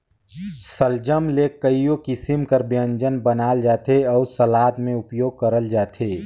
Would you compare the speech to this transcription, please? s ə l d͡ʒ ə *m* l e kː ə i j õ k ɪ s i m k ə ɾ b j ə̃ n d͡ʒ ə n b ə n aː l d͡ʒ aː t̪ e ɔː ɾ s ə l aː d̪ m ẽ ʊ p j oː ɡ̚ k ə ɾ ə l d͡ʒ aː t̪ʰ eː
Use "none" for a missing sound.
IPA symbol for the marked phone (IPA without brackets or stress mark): m